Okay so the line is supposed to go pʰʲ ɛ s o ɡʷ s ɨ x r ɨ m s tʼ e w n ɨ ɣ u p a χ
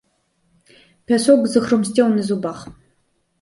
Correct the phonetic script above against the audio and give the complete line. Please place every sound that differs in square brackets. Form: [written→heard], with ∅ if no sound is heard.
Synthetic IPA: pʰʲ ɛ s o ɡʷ [s→z] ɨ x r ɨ m s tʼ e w n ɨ [ɣ→z] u [p→b] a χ